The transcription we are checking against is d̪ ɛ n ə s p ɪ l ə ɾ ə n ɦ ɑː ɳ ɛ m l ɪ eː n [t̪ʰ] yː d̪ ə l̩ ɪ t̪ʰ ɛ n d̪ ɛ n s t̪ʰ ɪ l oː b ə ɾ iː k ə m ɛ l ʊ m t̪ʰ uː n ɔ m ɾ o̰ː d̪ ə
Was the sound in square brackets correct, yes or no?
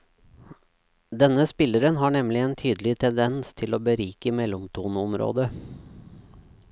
yes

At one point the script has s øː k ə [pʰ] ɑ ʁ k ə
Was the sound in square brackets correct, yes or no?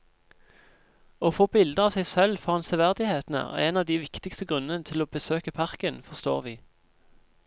yes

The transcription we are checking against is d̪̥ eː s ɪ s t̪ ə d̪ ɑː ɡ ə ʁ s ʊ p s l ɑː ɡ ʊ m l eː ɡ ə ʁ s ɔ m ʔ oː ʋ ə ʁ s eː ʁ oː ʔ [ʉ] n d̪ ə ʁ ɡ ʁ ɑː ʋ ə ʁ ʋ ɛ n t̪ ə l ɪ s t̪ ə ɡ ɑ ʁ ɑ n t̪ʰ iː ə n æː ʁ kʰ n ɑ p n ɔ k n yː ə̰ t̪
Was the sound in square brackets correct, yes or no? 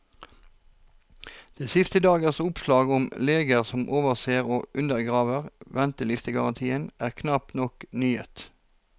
yes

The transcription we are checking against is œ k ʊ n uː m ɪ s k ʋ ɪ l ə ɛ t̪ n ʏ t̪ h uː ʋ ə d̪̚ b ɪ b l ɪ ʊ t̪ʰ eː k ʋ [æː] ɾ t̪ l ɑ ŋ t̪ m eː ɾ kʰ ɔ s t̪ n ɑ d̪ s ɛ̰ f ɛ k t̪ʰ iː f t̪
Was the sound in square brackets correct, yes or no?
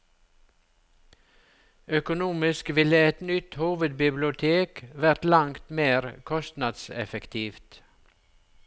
no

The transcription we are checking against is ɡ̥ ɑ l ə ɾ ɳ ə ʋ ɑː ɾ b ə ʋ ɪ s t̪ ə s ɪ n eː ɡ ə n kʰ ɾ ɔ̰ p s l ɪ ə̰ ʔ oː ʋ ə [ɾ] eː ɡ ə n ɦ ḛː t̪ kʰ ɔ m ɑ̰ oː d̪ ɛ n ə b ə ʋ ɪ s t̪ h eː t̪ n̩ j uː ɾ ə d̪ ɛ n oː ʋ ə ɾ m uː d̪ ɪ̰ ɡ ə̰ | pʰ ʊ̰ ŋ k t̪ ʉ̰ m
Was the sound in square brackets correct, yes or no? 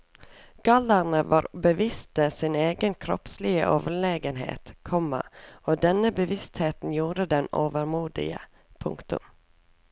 no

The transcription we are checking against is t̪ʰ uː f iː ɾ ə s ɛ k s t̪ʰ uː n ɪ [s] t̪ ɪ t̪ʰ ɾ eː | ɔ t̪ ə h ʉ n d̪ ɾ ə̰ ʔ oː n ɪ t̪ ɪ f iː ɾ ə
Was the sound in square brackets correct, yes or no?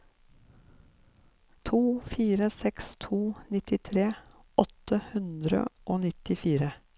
no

